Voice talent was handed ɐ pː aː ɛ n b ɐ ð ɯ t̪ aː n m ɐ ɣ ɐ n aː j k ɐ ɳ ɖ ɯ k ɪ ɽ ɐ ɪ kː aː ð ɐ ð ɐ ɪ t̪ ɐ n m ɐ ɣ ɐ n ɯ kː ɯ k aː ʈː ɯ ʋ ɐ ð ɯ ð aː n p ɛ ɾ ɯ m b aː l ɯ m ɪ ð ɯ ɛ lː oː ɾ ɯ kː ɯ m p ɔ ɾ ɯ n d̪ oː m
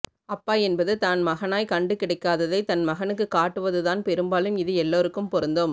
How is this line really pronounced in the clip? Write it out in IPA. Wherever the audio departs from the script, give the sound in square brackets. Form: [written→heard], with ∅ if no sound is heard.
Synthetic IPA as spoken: ɐ pː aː ɛ n b ɐ ð ɯ t̪ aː n m ɐ ɣ ɐ n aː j k ɐ ɳ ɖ ɯ k ɪ ɽ ɐ ɪ kː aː ð ɐ ð ɐ ɪ t̪ ɐ n m ɐ ɣ ɐ n ɯ kː ɯ k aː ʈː ɯ ʋ ɐ ð ɯ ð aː n p ɛ ɾ ɯ m b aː l ɯ m ɪ ð ɯ ɛ lː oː ɾ ɯ kː ɯ m p ɔ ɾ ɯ n d̪ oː m